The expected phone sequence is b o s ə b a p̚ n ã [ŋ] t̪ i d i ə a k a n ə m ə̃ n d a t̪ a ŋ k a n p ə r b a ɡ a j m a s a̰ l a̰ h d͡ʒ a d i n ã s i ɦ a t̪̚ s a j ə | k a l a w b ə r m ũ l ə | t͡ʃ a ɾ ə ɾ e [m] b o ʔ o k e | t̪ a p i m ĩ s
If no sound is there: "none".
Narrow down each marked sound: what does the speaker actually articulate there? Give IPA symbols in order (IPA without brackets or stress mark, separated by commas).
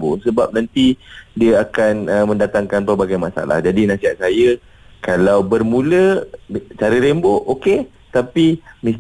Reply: n, m